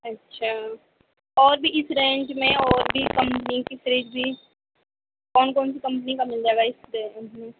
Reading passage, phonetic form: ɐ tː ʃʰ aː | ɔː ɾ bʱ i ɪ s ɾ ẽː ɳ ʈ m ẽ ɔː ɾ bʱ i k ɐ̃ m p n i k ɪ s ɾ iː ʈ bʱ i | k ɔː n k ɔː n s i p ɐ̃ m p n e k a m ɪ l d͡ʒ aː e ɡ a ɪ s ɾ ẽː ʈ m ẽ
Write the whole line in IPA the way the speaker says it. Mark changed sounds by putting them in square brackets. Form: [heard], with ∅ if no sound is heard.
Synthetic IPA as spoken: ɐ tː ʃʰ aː | ɔː ɾ bʱ i ɪ s ɾ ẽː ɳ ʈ m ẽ ɔː ɾ bʱ i k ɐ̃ m p n i k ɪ s ɾ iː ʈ bʱ i | k ɔː n k ɔː n s i [k] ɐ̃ m p n [i] k a m ɪ l d͡ʒ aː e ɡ a ɪ s ɾ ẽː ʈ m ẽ

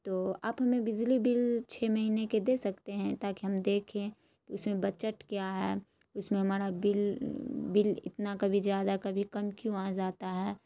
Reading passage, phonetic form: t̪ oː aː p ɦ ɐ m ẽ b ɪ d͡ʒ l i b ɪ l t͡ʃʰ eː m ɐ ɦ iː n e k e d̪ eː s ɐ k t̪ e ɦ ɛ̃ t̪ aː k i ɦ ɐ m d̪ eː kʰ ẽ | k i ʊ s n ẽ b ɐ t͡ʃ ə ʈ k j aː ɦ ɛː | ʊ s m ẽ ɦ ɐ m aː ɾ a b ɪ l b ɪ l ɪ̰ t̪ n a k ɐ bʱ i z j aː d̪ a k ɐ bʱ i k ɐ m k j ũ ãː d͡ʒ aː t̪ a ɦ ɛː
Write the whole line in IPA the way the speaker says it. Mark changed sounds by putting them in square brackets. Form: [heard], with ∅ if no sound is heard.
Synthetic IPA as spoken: t̪ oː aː p ɦ ɐ m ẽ b ɪ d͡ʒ l i b ɪ l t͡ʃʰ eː m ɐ ɦ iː n e k e d̪ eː s ɐ k t̪ e ɦ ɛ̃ t̪ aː k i ɦ ɐ m d̪ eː kʰ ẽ | k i ʊ s [m] ẽ b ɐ t͡ʃ ə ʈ k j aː ɦ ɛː | ʊ s m ẽ ɦ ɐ m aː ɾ a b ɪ l b ɪ l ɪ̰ t̪ n a k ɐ bʱ i z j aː d̪ a k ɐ bʱ i k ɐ m k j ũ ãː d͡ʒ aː t̪ a ɦ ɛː

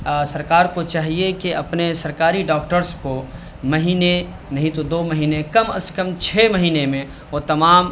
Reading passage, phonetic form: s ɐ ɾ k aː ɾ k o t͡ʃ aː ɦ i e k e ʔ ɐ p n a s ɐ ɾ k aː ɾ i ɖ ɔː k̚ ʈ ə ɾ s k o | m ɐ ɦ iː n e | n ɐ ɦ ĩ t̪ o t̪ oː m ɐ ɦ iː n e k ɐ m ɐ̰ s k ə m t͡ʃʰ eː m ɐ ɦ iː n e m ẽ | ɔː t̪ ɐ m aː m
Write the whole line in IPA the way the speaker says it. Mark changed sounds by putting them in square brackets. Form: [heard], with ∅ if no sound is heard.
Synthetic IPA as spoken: s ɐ ɾ k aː ɾ k o t͡ʃ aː ɦ i e k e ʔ ɐ p n [e] s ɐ ɾ k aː ɾ i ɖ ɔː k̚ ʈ ə ɾ s k o | m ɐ ɦ iː n e | n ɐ ɦ ĩ t̪ o [d̪] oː m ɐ ɦ iː n e k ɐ m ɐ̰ s k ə m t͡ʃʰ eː m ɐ ɦ iː n e m ẽ | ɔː t̪ ɐ m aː m

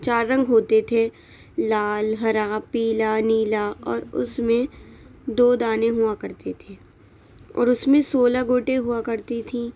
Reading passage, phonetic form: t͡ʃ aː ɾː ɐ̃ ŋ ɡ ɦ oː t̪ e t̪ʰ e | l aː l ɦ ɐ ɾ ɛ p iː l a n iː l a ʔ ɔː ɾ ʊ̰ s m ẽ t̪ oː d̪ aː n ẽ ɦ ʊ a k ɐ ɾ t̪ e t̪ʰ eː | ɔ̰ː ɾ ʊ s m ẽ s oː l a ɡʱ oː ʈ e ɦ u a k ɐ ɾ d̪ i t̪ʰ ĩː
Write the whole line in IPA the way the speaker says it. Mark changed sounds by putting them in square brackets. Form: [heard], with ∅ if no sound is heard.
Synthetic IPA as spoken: t͡ʃ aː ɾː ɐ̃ ŋ ɡ ɦ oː t̪ e t̪ʰ e | l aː l ɦ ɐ ɾ [a] p iː l a n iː l a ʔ ɔː ɾ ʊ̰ s m ẽ [d̪] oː d̪ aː n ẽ ɦ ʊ a k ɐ ɾ t̪ e t̪ʰ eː | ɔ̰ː ɾ ʊ s m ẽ s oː l a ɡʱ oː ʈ e ɦ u a k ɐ ɾ [t̪] i t̪ʰ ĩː

